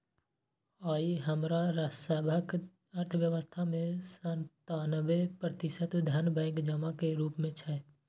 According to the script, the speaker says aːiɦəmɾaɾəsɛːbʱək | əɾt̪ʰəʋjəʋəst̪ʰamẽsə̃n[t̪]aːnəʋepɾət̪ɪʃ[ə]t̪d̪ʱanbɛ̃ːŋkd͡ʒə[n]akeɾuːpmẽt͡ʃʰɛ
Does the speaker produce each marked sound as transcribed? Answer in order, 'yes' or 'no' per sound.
yes, yes, no

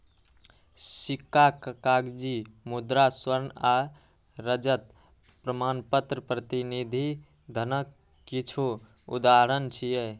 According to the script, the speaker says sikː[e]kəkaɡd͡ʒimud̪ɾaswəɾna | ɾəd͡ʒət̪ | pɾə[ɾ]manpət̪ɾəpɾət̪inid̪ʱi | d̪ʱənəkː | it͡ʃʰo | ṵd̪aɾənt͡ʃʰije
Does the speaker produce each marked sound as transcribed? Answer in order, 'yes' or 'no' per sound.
no, no

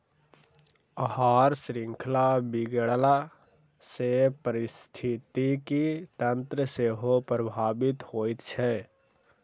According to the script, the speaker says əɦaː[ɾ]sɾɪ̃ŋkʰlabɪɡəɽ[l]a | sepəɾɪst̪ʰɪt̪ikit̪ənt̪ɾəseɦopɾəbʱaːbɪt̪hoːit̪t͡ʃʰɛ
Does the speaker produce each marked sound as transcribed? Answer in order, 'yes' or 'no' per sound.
yes, yes

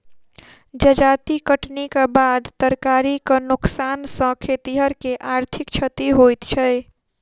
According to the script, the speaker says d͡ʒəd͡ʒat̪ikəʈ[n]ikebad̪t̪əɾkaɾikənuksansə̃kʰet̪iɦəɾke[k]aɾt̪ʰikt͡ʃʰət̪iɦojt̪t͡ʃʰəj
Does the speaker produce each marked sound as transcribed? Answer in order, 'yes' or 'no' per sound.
yes, no

